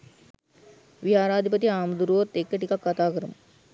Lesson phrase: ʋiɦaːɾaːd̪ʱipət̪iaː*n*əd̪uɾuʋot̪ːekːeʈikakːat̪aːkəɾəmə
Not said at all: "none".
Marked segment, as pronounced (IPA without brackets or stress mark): m